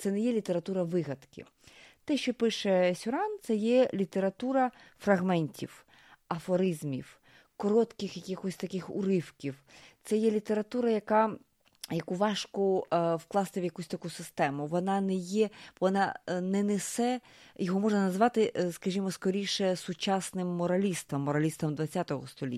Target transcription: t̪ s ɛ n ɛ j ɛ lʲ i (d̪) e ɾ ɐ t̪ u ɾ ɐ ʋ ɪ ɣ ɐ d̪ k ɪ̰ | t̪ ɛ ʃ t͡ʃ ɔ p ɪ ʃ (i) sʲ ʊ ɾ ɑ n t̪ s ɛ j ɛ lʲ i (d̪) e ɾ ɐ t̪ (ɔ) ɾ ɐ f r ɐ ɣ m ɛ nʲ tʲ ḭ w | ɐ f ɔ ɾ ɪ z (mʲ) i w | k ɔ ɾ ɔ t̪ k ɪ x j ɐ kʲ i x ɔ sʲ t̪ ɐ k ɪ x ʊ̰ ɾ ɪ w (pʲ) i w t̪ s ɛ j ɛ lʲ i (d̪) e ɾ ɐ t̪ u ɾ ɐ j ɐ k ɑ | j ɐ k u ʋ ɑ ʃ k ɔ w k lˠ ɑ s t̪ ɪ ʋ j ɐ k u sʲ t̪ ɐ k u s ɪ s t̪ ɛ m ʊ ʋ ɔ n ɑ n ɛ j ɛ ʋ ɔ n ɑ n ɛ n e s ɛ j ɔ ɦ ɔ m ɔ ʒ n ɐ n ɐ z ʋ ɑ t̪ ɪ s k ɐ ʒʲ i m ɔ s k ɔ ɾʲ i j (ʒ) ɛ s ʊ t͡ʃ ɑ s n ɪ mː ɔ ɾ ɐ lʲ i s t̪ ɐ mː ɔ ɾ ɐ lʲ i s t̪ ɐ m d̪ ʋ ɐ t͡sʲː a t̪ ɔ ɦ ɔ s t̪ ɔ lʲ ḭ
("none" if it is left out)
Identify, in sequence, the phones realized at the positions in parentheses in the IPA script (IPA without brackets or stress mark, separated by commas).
t̪, ɛ, t̪, u, mʲ, kʲ, t̪, ʃ